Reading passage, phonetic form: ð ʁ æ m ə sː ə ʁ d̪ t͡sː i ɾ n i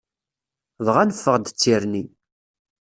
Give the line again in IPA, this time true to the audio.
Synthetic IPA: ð ʁ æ n ə fː ə ʁ d̪ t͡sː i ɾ n i